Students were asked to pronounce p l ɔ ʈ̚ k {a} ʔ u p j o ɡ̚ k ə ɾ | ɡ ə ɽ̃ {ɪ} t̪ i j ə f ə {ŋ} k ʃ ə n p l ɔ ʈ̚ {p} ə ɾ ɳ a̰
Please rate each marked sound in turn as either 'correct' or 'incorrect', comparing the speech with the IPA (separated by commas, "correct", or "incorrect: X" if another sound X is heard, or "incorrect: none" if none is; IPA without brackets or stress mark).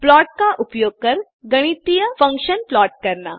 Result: correct, incorrect: i, correct, incorrect: k